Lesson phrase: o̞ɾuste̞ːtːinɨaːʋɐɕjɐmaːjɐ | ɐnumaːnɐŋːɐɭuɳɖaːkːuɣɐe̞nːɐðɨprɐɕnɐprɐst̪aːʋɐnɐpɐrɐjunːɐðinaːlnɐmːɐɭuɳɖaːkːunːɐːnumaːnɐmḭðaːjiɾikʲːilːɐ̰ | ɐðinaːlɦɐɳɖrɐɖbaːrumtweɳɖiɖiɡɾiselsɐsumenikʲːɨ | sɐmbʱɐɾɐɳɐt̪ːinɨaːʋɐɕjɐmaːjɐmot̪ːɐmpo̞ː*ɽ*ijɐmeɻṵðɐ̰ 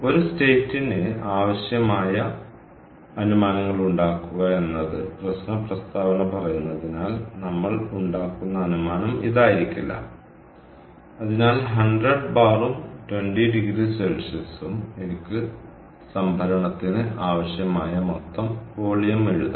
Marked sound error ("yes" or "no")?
yes